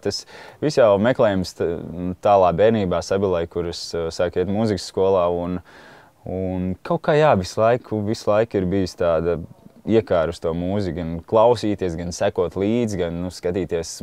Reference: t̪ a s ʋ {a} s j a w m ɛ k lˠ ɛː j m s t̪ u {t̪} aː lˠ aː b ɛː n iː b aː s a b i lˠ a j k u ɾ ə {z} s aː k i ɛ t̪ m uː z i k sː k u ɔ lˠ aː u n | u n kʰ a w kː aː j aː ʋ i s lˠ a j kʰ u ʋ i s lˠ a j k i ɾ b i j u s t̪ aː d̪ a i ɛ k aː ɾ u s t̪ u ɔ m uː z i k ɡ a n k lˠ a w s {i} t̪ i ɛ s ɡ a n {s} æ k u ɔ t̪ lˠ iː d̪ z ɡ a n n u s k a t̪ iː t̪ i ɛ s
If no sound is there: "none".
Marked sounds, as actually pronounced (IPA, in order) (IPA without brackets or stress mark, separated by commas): i, t̪, s, iː, s